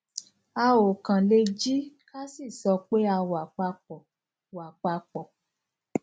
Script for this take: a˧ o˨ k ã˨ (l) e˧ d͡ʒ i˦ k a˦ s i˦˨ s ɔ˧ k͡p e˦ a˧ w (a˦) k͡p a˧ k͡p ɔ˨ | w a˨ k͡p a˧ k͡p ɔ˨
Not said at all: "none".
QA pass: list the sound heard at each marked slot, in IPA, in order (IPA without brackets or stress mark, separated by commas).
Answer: l, a˨